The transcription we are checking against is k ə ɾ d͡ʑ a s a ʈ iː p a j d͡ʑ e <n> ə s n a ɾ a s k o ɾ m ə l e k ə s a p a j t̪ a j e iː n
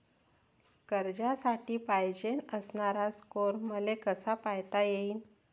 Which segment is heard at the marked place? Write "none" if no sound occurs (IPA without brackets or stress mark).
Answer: n